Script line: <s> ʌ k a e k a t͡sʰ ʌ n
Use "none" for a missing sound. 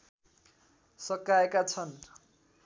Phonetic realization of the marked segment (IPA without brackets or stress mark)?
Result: s